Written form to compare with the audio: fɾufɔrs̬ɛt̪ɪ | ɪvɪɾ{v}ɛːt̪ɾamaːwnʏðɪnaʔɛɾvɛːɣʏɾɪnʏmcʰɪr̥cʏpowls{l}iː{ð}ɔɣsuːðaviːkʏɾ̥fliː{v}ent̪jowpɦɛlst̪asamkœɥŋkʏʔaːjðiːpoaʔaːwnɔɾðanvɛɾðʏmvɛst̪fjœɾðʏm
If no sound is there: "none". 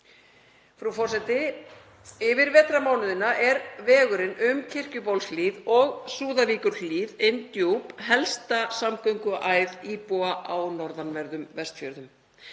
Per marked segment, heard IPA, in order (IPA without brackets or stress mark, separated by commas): v, l, ð, ð